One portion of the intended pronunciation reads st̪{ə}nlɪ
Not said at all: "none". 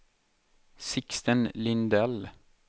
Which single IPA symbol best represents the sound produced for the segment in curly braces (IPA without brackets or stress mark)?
ə